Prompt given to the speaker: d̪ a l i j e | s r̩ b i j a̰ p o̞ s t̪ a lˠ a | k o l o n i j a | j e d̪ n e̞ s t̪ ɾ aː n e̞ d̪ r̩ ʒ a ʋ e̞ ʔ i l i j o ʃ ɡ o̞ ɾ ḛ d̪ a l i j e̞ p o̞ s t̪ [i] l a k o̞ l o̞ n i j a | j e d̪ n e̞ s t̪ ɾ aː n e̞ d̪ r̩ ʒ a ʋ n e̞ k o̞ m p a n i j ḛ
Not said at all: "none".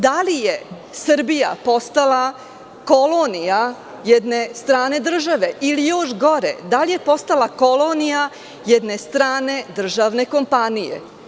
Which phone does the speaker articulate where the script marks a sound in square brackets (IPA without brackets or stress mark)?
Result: a